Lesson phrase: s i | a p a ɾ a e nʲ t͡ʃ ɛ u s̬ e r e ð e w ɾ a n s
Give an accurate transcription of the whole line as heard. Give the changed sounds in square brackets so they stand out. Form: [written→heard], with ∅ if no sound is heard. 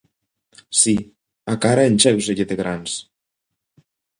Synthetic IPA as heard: s i | a [p→k] a ɾ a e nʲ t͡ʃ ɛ [u→w] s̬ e [r→ʎ] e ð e [w→ɣ] ɾ a n s